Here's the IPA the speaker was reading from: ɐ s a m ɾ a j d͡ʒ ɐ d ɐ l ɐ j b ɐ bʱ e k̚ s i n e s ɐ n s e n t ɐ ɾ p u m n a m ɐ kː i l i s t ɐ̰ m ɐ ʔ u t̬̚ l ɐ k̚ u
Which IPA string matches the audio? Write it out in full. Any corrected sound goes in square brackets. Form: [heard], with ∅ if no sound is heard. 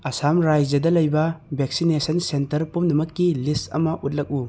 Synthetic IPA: ɐ s a m ɾ a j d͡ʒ ɐ d ɐ l ɐ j b ɐ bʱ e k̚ s i n e s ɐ n s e n t ɐ ɾ p u m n [ɐ] m ɐ kː i l i s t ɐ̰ m ɐ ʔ u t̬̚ l ɐ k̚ u